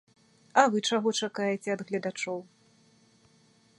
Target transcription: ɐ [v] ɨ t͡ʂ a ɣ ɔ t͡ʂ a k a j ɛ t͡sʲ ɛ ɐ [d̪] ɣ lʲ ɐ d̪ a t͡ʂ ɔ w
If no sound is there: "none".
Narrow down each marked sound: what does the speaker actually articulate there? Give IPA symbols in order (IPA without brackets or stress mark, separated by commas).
v, d̪